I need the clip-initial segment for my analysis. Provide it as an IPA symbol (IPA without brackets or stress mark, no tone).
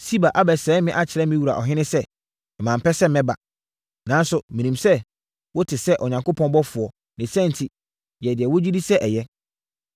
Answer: s